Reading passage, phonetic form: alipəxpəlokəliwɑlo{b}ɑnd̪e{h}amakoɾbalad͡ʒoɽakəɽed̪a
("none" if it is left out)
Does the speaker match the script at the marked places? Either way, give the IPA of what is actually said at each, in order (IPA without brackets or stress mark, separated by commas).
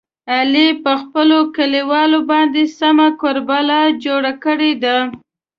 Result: b, s